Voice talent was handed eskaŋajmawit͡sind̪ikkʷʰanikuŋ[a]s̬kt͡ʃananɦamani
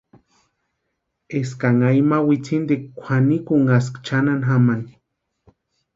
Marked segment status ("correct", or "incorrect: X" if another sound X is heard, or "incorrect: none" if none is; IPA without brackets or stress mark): correct